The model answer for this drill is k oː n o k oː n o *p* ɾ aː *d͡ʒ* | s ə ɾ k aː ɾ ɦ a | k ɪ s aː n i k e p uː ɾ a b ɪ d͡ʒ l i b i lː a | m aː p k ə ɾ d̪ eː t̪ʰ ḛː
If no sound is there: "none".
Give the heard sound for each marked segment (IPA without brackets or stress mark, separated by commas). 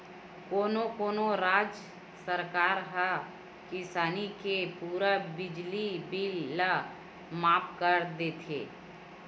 none, d͡ʒ